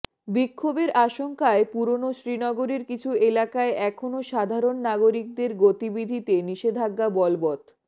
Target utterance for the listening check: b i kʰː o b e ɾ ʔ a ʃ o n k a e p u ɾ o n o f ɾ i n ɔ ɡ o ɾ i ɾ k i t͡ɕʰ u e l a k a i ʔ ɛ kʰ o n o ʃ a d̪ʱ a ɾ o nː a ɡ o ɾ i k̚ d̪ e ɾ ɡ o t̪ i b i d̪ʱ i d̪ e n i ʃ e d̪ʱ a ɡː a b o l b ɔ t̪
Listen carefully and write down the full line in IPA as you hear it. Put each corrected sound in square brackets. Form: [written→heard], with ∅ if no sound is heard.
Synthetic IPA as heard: b i kʰː o b e ɾ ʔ a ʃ o [n→ŋ] k a e p u ɾ o n o [f→ʃ] ɾ i n ɔ ɡ o ɾ [i→e] ɾ k i t͡ɕʰ u e l a k a [i→e] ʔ ɛ kʰ o n o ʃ a d̪ʱ a ɾ o nː a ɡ o ɾ i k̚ d̪ e ɾ ɡ o t̪ i b i d̪ʱ i [d̪→t̪] e n i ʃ e d̪ʱ a ɡː a b [o→ɔ] l b ɔ t̪